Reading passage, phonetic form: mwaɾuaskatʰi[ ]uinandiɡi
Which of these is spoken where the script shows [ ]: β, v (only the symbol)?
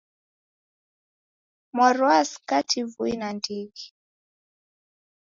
v